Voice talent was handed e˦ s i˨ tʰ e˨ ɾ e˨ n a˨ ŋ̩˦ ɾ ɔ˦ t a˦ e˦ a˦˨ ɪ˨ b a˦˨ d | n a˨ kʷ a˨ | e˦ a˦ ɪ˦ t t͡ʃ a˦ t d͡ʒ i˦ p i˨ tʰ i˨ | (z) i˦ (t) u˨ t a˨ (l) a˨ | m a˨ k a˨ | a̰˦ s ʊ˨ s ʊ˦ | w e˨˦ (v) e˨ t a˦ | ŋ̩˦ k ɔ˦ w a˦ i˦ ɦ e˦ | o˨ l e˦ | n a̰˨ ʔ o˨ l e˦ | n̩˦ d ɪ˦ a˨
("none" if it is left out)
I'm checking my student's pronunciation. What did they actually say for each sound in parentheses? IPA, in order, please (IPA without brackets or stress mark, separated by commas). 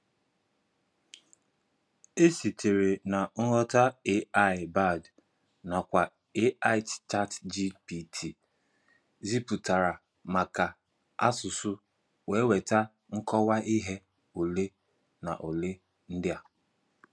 z, p, ɾ, w